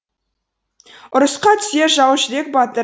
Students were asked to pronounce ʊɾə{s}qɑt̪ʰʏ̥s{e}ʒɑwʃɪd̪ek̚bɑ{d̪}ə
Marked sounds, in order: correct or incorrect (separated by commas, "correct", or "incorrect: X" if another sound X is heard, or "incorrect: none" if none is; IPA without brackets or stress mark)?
correct, correct, incorrect: t̪